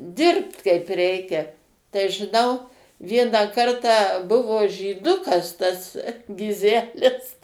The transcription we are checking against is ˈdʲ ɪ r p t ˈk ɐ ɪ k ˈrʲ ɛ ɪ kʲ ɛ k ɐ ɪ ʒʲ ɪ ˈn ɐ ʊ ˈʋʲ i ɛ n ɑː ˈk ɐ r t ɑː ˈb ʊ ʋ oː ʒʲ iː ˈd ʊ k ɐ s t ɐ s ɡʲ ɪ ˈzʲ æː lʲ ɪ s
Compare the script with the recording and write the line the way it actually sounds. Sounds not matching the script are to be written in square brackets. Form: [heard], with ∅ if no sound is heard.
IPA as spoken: ˈdʲ ɪ r p t ˈk ɐ ɪ [p] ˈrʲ ɛ ɪ kʲ ɛ [t] ɐ ɪ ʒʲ ɪ ˈn ɐ ʊ ˈʋʲ i ɛ n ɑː ˈk ɐ r t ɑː ˈb ʊ ʋ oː ʒʲ iː ˈd ʊ k ɐ s t ɐ s ɡʲ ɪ ˈzʲ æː lʲ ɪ s